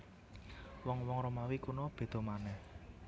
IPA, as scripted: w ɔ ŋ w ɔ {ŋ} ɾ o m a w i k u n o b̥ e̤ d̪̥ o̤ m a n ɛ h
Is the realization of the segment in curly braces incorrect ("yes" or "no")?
no